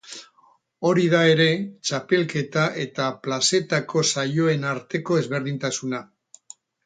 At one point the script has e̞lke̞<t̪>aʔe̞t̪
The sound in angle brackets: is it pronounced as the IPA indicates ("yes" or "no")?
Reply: yes